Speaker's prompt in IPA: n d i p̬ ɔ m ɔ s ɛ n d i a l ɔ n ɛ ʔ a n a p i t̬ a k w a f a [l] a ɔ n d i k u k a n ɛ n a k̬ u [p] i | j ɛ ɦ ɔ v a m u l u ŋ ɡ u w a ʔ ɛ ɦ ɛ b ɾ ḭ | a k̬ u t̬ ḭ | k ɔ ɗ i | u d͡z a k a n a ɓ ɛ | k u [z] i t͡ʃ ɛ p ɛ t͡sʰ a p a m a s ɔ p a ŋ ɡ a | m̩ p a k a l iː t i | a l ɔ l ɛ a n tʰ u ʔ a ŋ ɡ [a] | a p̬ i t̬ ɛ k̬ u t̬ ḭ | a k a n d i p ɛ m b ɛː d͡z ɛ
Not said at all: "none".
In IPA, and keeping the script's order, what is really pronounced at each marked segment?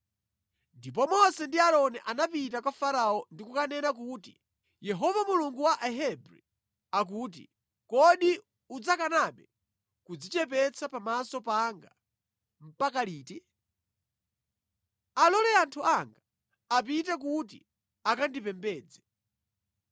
ɾ, t, d͡z, a

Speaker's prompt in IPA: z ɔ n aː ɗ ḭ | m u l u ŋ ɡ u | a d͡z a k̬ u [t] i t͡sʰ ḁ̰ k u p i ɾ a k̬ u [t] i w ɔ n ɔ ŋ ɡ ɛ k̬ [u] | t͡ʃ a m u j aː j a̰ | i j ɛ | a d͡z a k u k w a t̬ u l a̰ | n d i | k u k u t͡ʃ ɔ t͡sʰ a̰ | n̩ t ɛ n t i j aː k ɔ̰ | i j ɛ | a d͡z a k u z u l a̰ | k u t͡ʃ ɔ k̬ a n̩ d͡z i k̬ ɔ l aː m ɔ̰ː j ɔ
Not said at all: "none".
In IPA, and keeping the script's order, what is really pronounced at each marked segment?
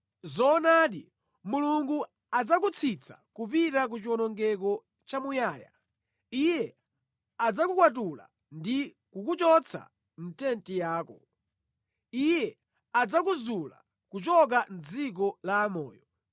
t͡sʰ, t͡ʃ, ɔ

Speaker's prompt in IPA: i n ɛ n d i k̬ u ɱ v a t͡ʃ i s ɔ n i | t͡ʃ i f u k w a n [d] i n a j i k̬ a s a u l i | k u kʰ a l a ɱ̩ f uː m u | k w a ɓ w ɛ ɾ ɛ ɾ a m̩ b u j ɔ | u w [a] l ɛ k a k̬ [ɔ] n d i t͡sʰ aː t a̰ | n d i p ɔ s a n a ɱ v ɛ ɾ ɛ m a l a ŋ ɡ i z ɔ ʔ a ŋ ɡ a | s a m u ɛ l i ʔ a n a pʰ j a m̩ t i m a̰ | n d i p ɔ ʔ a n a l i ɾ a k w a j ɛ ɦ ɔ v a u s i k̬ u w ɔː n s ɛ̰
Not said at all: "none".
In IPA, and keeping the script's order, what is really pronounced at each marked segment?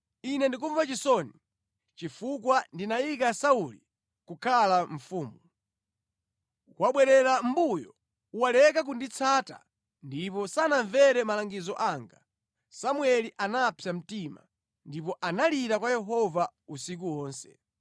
d, a, u

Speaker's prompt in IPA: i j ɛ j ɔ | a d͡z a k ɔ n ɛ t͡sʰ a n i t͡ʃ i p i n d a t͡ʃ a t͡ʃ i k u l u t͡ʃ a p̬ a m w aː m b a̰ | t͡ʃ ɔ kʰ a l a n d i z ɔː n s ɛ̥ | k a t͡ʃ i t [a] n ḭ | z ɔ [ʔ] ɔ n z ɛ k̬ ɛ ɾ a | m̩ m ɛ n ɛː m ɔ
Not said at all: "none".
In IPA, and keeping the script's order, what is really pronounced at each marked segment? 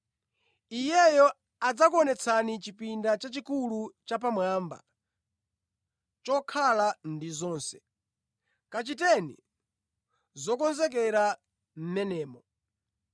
ɛ, k

